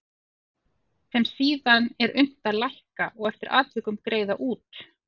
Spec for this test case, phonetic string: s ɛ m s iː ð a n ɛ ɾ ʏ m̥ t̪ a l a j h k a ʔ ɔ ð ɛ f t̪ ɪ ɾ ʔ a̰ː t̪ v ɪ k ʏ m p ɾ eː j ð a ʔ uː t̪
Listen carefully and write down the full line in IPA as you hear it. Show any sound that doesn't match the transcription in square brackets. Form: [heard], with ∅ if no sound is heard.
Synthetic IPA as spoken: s ɛ m s iː ð a n ɛ ɾ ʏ m̥ t̪ a l a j h k a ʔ ɔ [ɣ] ɛ f t̪ ɪ ɾ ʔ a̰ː t̪ v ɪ k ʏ m [k] ɾ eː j ð a ʔ uː t̪